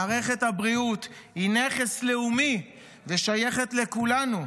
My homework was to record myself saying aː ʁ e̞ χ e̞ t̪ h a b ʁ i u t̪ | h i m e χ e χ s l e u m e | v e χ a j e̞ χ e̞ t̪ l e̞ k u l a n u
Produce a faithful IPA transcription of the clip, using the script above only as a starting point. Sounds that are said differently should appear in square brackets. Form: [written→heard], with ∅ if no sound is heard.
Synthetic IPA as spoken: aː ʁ e̞ χ e̞ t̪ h a b ʁ i u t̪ | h i [m→n] e χ e [χ→∅] s l e u m [e→i] | v e [χ→ʃ] a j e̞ χ e̞ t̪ l e̞ k u l a n u